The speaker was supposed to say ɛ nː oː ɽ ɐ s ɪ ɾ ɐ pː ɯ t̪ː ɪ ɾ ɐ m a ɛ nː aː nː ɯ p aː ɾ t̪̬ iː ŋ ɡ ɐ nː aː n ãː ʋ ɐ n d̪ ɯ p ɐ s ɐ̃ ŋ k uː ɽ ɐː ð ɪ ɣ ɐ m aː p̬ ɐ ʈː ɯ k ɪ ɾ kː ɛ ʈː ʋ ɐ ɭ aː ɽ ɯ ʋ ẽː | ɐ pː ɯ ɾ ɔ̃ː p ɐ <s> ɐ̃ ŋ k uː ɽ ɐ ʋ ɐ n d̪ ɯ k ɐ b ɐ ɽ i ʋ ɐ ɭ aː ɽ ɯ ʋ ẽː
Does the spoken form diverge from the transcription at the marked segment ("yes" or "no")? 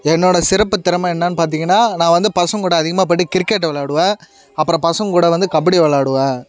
no